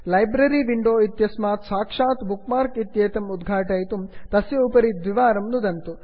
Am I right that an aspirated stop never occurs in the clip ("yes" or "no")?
yes